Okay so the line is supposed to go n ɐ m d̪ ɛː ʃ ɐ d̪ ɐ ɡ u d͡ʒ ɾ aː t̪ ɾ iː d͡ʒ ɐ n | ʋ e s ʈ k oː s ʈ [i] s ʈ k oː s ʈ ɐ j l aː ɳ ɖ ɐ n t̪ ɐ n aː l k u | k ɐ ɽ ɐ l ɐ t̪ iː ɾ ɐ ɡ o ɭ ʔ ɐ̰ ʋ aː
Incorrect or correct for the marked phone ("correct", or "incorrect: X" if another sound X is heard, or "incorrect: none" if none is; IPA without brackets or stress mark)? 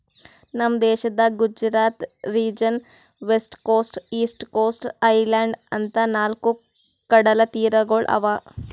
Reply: incorrect: iː